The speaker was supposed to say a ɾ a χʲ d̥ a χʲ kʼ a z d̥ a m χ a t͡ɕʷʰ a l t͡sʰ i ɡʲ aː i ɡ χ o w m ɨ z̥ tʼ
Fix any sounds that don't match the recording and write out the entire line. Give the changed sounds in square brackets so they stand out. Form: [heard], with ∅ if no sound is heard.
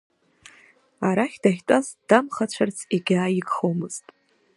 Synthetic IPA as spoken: a ɾ a χʲ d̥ a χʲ [tʼ] a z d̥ a m χ a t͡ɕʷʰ a [r] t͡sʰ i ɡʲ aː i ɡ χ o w m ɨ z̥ tʼ